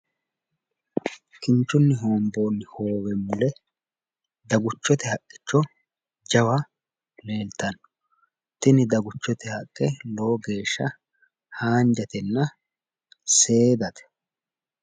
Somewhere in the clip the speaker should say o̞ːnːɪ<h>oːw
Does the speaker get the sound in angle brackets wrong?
no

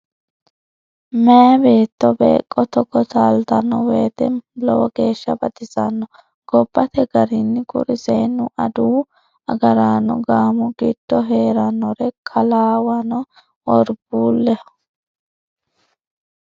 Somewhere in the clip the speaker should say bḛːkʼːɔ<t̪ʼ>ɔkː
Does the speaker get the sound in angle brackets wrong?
yes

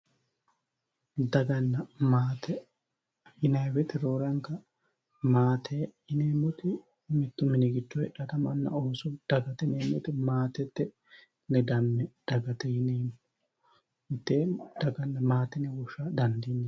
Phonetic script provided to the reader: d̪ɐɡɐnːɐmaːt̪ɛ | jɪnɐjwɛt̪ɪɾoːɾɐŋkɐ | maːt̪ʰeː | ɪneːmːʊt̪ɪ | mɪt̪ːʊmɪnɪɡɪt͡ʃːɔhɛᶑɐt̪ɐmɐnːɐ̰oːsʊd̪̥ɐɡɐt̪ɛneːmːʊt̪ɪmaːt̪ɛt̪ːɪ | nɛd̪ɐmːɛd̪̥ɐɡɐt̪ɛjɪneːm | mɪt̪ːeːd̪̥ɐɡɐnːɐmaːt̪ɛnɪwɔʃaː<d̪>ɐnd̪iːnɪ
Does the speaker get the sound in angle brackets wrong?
no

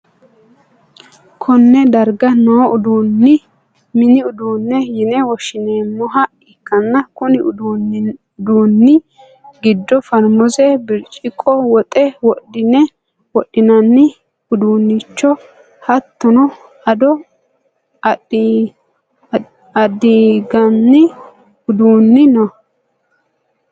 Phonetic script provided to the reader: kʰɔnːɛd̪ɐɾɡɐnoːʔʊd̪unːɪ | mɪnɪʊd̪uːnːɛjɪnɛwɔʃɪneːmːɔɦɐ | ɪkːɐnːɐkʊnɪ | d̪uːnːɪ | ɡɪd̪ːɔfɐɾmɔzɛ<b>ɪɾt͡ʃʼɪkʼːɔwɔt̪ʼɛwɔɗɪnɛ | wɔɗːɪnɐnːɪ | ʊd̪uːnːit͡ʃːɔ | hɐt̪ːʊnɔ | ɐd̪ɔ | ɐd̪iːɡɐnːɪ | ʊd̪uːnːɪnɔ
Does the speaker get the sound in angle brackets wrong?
no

